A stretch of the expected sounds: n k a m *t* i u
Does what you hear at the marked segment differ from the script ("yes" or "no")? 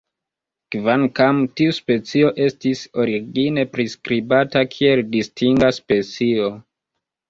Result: no